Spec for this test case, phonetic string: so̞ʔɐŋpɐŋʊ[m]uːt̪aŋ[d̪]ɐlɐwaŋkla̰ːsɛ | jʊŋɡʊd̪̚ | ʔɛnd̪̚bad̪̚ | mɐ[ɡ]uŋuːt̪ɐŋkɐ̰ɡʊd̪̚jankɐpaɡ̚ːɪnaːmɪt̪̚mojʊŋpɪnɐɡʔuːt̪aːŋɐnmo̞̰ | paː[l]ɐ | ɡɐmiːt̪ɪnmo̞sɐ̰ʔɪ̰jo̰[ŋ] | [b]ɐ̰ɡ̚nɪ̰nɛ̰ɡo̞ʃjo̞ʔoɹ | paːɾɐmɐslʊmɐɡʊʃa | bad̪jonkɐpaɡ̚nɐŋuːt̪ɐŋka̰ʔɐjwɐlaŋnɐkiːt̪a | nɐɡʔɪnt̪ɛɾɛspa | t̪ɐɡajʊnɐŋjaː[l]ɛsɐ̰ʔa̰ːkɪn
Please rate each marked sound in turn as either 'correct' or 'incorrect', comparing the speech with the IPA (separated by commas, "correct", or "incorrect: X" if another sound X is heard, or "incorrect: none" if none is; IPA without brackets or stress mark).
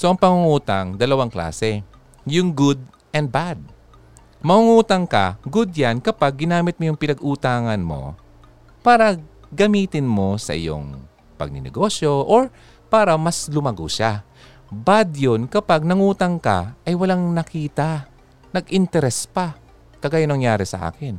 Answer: incorrect: ŋ, correct, incorrect: ŋ, incorrect: ɾ, correct, incorrect: p, incorrect: ɾ